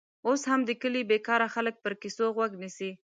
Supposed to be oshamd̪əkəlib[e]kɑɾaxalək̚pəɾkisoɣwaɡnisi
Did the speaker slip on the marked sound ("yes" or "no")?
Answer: no